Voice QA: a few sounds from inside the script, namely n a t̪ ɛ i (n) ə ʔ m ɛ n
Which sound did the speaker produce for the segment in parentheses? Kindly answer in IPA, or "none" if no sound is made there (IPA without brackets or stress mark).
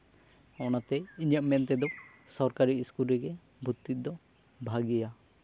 ɲ